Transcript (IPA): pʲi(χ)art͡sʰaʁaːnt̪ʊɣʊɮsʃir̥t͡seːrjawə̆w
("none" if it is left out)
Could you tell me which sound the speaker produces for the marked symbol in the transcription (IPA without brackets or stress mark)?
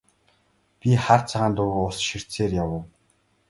χ